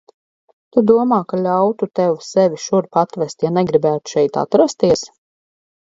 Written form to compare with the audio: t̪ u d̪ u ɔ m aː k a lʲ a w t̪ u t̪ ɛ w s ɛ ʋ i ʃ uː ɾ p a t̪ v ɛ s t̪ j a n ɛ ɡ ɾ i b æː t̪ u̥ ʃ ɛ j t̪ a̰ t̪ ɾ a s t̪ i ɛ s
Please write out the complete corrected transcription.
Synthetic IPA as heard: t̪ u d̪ u ɔ m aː k a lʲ a w t̪ u t̪ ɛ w s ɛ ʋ i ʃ u ɾ p a t̪ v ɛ s t̪ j a n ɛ ɡ ɾ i b æː t̪ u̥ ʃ ɛ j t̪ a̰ t̪ ɾ a s t̪ i ɛ s